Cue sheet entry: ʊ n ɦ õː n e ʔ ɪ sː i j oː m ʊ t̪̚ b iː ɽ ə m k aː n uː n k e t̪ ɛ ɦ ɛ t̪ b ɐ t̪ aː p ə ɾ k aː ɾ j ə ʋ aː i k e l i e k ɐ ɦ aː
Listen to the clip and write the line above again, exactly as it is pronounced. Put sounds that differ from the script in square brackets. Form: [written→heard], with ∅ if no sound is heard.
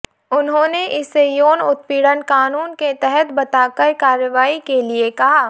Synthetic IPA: ʊ n ɦ õː n e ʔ ɪ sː [i→e] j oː [m→n] ʊ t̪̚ [b→p] iː ɽ ə [m→n] k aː n uː n k e t̪ ɛ ɦ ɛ t̪ b ɐ t̪ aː [p→k] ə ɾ k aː ɾ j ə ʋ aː i k e l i e k ɐ ɦ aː